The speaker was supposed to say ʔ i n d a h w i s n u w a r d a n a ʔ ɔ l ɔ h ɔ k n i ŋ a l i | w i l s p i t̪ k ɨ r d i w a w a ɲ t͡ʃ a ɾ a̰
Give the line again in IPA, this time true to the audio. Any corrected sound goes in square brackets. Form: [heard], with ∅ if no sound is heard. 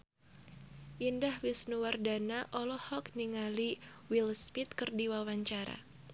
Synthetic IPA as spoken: ʔ i n d a h w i s n u w a r d a n a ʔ ɔ l ɔ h ɔ k n i ŋ a l i | w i l s p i t̪ k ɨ r d i w a w a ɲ t͡ʃ a ɾ a̰

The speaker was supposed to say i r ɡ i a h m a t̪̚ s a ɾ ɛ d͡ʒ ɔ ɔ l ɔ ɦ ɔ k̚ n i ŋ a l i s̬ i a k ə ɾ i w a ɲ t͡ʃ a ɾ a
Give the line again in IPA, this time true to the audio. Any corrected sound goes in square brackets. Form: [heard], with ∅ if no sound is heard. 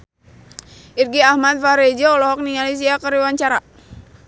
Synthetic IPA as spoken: i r ɡ i a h m a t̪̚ [f] a ɾ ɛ d͡ʒ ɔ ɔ l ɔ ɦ ɔ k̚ n i ŋ a l i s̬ i a k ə ɾ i w a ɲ t͡ʃ a ɾ a

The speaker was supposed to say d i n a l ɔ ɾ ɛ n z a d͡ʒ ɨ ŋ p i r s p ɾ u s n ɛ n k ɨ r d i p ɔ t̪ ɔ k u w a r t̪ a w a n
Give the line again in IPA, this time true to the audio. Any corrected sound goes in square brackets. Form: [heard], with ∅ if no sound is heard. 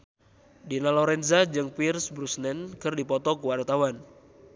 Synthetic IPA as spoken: d i n a l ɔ ɾ ɛ n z a d͡ʒ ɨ ŋ p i r s [b] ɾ u s n ɛ n k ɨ r d i p ɔ t̪ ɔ k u w a r t̪ a w a n

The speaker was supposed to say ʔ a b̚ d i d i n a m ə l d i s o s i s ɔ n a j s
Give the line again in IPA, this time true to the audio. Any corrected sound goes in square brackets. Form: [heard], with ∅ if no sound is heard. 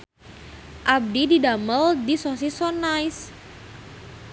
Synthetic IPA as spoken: ʔ a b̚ d i d i [d] a m ə l d i s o s i s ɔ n a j s

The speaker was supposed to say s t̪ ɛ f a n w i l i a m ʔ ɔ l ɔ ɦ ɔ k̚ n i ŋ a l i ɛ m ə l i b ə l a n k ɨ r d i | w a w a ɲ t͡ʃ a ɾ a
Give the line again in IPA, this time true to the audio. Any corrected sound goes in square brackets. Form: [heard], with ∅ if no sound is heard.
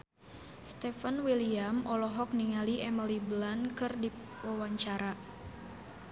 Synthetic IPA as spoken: s t̪ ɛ f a n w i l i a m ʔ ɔ l ɔ ɦ ɔ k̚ n i ŋ a l i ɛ m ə l i b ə l a n k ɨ r d i | w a w a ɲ t͡ʃ a ɾ a

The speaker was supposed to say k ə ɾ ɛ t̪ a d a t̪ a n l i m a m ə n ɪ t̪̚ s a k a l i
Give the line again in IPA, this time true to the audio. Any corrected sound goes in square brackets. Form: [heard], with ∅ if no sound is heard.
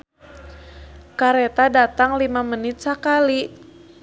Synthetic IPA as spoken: k [a] ɾ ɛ t̪ a d a t̪ a [ŋ] l i m a m ə n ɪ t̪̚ s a k a l i

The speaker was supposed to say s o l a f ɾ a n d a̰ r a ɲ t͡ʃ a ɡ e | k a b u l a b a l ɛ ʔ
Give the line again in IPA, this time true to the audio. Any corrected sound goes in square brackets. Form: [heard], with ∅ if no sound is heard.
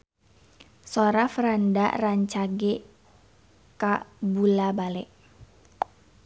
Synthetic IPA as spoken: s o [ɾ] a f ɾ a n d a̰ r a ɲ t͡ʃ a ɡ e | k a b u l a b a l ɛ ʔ

